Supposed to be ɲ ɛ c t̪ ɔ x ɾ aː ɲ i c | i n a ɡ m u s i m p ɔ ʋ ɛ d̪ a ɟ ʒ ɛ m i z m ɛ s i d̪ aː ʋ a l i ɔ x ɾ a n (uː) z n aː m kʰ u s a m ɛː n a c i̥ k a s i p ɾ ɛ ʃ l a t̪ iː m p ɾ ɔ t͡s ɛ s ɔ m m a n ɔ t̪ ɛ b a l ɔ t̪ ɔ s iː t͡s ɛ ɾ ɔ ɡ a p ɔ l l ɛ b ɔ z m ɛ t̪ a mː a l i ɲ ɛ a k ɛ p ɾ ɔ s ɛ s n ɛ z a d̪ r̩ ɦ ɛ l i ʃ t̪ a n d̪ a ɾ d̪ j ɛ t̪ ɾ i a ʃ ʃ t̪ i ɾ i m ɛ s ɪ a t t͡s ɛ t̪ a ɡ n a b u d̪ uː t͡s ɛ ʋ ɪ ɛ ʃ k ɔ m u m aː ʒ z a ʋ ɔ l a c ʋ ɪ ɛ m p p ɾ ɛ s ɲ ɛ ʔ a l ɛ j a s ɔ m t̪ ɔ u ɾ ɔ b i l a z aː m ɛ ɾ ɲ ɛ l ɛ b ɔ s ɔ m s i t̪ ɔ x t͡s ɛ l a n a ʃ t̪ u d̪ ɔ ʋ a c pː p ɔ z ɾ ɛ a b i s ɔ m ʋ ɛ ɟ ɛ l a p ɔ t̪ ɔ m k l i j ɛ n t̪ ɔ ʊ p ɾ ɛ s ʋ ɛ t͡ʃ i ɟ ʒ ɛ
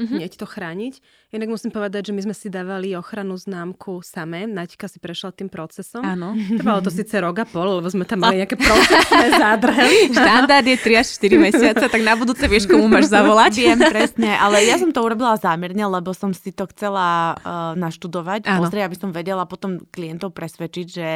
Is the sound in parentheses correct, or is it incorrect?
incorrect